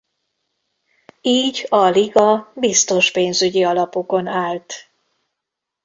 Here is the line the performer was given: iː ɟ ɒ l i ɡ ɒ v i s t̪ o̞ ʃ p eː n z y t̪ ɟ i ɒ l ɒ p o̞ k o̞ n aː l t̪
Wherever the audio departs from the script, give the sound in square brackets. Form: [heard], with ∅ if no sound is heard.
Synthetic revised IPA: iː ɟ ɒ l i ɡ ɒ [b] i s t̪ o̞ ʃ p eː n z y [∅] ɟ i ɒ l ɒ p o̞ k o̞ n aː l t̪